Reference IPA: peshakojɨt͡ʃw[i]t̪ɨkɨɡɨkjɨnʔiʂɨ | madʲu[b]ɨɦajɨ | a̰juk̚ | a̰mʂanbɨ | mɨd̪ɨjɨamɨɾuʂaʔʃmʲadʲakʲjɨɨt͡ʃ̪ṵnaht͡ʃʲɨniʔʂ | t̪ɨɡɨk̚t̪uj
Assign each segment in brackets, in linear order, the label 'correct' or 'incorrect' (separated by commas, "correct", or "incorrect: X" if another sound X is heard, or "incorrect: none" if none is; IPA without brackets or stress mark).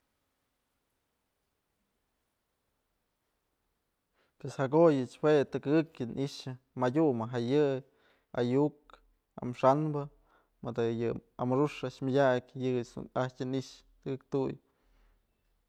incorrect: e, incorrect: m